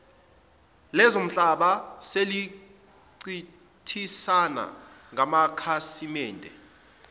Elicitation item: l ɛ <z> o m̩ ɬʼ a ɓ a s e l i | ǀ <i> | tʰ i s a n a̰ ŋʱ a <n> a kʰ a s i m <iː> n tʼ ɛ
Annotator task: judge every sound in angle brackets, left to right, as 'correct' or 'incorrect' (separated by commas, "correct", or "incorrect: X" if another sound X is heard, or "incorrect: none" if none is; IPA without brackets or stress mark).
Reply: correct, correct, incorrect: m, incorrect: ɛː